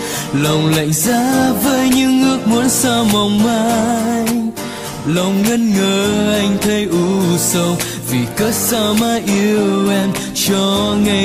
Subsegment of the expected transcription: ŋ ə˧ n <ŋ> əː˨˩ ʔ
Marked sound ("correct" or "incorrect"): correct